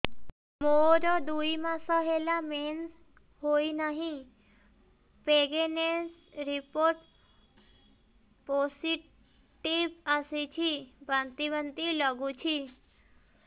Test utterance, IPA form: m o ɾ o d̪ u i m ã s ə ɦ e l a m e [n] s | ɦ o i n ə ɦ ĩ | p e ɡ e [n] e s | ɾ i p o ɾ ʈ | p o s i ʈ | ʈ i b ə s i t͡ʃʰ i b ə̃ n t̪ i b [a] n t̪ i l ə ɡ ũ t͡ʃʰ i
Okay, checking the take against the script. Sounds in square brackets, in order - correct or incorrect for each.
correct, correct, incorrect: ə

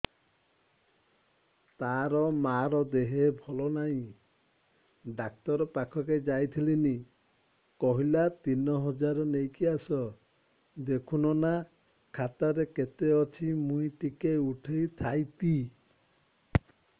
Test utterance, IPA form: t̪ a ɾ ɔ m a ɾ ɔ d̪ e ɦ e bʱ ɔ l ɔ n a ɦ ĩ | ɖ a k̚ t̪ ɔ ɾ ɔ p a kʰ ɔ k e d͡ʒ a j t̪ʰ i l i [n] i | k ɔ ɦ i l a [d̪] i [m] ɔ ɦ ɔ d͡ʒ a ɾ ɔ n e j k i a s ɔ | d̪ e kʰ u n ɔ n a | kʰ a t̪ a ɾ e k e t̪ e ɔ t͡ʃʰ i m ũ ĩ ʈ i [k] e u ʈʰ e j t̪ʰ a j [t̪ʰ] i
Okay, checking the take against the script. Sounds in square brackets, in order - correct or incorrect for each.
correct, incorrect: t̪, incorrect: n, correct, incorrect: t̪

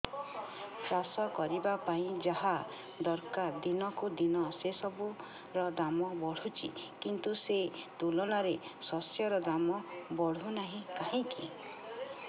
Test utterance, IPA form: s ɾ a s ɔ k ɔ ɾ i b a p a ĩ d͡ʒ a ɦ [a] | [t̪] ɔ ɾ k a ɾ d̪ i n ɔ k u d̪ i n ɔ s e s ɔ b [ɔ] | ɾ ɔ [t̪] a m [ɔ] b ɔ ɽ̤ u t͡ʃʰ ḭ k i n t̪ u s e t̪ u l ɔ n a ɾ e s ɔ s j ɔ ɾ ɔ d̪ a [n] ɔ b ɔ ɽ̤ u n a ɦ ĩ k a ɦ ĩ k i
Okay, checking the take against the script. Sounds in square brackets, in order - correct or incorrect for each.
correct, incorrect: d̪, incorrect: u, incorrect: d̪, correct, incorrect: m

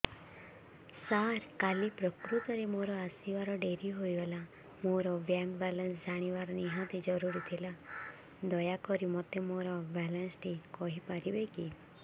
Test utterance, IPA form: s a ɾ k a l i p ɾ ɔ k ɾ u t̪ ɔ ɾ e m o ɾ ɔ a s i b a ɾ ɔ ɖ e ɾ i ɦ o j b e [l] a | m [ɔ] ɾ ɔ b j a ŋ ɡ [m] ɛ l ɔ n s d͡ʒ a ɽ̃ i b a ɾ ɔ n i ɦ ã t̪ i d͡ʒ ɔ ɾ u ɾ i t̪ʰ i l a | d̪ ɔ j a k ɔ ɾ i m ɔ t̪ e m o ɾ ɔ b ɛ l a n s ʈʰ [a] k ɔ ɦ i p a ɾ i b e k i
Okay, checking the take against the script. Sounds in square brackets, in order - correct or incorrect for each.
correct, incorrect: o, incorrect: b, incorrect: i

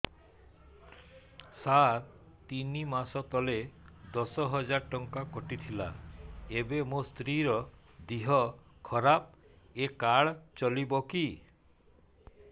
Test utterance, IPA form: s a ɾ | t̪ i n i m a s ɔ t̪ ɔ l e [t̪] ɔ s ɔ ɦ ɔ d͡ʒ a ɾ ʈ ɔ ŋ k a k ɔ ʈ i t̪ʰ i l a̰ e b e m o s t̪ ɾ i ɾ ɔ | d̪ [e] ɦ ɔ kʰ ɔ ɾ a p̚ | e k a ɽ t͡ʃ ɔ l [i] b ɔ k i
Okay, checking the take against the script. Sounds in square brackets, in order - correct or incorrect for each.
incorrect: d̪, incorrect: i, correct

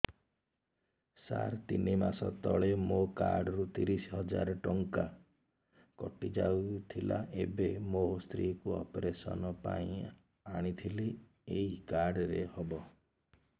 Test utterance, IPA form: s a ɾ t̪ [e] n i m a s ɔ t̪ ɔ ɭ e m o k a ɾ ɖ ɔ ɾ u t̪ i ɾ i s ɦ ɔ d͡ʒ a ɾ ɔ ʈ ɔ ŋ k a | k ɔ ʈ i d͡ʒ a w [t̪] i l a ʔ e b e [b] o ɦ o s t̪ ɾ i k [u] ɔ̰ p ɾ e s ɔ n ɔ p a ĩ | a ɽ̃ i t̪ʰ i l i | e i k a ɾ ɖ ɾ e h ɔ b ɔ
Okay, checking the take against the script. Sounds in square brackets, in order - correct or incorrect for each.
incorrect: i, incorrect: t̪ʰ, incorrect: m, correct

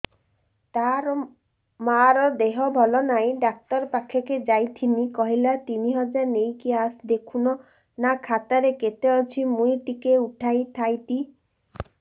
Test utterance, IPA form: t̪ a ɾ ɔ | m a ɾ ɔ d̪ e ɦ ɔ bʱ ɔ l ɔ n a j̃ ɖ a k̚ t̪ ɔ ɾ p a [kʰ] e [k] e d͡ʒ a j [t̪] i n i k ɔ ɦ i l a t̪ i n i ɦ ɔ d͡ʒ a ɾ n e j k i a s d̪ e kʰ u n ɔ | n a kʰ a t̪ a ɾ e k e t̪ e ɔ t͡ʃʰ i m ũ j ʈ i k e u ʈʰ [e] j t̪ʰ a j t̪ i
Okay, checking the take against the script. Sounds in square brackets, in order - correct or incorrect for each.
correct, correct, incorrect: t̪ʰ, incorrect: a

